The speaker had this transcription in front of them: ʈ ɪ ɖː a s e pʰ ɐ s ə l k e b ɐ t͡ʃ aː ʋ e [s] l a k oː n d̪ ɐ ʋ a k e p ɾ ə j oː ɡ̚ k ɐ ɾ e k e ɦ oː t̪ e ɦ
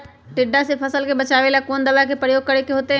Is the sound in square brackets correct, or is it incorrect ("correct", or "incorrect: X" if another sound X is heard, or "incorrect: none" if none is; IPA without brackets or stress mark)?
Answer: incorrect: none